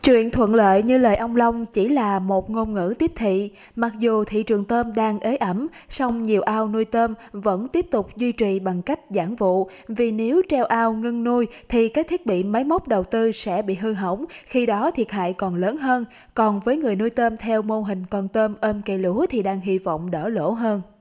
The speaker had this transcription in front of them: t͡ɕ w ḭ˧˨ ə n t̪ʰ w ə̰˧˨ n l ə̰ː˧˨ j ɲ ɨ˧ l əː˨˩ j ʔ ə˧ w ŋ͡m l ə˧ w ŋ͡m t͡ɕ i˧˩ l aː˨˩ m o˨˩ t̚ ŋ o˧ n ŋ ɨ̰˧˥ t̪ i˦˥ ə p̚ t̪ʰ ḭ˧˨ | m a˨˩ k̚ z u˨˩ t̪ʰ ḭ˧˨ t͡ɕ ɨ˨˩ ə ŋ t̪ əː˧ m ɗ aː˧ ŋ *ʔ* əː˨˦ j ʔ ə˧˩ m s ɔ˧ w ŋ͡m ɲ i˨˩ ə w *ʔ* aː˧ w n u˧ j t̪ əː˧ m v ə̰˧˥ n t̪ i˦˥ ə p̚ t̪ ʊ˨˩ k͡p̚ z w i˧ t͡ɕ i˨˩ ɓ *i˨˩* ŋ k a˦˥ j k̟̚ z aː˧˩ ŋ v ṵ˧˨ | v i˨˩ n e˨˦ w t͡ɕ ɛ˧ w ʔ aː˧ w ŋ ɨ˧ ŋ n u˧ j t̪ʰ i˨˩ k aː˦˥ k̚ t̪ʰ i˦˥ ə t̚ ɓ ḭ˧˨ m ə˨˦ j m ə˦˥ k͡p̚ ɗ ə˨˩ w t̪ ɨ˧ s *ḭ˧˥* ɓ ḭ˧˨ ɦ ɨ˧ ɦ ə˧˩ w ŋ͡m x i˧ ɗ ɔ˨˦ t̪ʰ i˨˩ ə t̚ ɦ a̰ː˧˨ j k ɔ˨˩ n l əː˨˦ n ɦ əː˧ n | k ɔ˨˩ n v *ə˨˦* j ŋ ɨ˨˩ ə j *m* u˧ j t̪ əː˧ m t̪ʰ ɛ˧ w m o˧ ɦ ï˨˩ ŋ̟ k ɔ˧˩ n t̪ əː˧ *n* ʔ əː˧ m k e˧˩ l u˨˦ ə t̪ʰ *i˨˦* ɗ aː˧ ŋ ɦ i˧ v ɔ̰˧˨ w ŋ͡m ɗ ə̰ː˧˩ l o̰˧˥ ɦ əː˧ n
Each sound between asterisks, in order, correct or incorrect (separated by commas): correct, correct, incorrect, incorrect, incorrect, incorrect, incorrect, incorrect